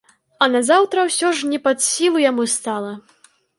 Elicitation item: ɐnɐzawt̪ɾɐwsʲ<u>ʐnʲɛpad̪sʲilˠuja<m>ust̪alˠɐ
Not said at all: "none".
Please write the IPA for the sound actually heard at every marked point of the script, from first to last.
ɔ, m

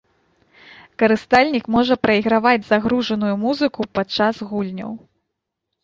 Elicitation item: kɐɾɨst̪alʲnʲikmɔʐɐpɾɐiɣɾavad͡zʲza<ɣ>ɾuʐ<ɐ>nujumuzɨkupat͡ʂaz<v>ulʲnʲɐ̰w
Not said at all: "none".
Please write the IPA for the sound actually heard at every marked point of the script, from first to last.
ɣ, ɐ, ɣ

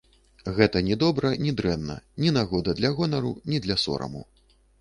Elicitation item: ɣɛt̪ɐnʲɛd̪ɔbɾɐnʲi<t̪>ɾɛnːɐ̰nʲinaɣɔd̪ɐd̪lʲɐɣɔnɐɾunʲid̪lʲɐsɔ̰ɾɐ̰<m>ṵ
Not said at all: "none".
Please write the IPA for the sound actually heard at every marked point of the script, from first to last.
d̪, m

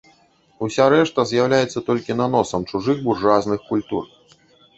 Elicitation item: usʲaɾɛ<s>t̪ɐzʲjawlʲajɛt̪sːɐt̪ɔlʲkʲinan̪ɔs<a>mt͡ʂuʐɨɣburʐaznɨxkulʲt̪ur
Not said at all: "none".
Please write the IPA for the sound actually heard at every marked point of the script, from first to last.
ʂ, ɐ

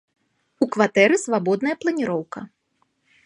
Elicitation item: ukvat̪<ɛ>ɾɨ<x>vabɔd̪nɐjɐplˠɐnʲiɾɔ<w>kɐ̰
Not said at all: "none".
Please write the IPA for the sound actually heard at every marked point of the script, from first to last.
ɛ, s, w

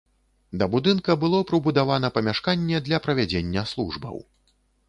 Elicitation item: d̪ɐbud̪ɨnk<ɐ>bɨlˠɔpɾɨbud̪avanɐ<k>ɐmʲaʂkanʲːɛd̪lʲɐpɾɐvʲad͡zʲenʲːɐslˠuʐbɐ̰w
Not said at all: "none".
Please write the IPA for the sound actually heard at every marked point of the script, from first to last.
ɐ, p

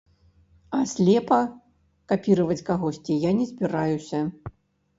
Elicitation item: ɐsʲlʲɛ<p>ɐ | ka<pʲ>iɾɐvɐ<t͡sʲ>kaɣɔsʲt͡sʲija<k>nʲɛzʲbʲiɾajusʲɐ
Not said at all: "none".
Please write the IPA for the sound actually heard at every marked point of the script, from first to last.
p, pʲ, t͡sʲ, none

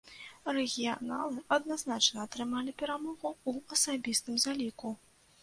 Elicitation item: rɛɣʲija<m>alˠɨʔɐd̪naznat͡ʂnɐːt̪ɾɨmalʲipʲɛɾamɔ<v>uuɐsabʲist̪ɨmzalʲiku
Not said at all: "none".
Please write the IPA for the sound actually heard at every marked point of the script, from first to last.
n, ɣ

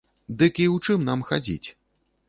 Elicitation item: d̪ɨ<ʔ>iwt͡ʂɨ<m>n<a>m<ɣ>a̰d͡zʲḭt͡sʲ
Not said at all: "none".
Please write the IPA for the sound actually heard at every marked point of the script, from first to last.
k, m, a, x

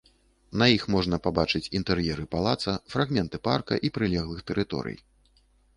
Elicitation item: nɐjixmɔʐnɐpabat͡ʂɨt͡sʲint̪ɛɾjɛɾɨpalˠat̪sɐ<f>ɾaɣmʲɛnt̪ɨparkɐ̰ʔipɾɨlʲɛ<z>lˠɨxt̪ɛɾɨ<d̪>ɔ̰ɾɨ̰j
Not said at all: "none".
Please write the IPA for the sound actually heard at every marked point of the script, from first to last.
f, ɣ, t̪

